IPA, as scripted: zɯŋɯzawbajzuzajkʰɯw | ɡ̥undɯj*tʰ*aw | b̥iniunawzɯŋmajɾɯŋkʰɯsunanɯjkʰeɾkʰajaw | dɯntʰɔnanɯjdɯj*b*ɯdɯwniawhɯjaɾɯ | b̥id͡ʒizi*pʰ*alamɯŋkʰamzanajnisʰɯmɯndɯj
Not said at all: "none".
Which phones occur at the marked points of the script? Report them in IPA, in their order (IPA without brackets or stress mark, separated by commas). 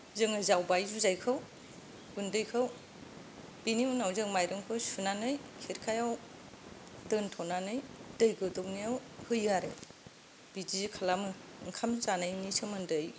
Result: kʰ, ɡ, kʰ